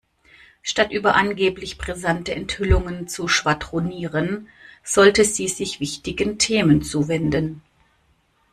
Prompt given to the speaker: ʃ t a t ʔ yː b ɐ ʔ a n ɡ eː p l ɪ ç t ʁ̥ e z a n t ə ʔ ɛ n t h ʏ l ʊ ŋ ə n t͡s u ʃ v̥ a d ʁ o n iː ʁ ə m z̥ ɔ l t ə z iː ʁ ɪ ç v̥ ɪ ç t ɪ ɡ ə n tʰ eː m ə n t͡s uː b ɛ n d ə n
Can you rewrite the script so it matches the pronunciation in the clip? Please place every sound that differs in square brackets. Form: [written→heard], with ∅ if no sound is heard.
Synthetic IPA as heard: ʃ t a t ʔ yː b ɐ ʔ a n ɡ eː p l ɪ ç [t→p] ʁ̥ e z a n t ə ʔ ɛ n t h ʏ l ʊ ŋ ə n t͡s u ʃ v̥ a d ʁ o n iː ʁ ə [m→n] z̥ ɔ l t ə z iː [ʁ→z] ɪ ç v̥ ɪ ç t ɪ ɡ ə n tʰ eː m ə n t͡s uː [b→v] ɛ n d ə n